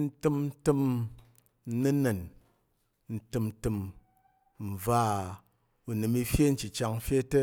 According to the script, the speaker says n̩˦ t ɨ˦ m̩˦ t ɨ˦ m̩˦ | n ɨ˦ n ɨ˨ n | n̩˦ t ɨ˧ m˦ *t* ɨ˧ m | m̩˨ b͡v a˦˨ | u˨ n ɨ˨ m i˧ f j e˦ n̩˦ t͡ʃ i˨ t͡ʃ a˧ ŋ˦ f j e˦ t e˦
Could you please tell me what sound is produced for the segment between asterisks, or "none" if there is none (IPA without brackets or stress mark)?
t